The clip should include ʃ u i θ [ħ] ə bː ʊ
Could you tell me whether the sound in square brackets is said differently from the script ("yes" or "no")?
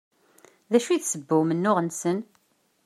yes